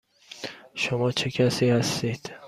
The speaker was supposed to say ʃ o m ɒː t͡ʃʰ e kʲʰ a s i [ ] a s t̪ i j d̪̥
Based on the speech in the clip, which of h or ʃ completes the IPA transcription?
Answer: h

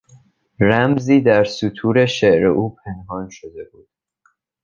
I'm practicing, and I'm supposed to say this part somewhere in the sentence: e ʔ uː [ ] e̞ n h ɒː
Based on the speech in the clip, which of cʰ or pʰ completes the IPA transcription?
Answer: pʰ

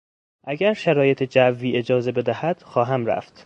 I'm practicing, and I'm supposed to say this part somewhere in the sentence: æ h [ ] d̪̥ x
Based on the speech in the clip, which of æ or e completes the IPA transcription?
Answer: æ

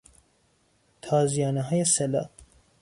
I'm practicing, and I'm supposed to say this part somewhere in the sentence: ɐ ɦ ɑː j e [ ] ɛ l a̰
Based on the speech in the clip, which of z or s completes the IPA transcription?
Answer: s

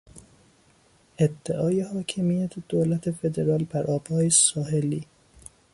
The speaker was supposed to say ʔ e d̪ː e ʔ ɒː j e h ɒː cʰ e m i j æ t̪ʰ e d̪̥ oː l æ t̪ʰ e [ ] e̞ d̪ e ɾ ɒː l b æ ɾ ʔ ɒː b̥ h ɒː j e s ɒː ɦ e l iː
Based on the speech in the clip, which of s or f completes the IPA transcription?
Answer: f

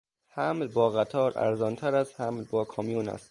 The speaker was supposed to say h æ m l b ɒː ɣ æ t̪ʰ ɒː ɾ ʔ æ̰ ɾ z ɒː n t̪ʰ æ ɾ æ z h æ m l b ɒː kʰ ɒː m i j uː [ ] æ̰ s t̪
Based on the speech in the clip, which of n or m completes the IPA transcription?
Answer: n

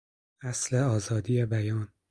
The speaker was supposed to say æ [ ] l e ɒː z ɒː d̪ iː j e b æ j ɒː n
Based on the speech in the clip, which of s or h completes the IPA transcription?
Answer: s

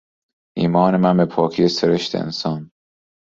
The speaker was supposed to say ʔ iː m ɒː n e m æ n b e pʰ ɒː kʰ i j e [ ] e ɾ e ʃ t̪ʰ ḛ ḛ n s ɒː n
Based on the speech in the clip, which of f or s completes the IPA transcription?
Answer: s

